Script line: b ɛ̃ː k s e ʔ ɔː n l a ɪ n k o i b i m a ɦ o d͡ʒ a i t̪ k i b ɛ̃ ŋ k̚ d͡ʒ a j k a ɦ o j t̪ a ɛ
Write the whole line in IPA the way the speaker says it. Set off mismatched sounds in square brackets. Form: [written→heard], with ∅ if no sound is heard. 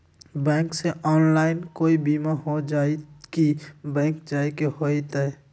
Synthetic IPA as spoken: b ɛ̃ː k s e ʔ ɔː n l a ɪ n k o i b i m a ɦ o d͡ʒ a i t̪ k i b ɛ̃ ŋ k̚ d͡ʒ a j k [a→e] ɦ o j t̪ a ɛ